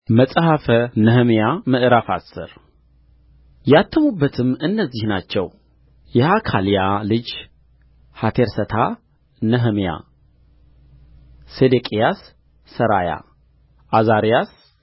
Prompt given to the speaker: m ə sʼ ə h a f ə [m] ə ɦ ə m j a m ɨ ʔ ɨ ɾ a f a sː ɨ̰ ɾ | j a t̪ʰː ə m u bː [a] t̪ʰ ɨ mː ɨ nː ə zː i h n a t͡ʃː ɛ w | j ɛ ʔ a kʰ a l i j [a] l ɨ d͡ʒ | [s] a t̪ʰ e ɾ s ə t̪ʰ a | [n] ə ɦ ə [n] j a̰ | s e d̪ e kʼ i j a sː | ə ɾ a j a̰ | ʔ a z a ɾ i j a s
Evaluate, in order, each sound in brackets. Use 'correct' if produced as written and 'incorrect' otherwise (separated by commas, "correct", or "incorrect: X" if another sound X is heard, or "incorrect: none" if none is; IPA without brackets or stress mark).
incorrect: n, incorrect: ə, correct, incorrect: h, correct, incorrect: m